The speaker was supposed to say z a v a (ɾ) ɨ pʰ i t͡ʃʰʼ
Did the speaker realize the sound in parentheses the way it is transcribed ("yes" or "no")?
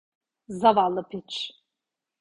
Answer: no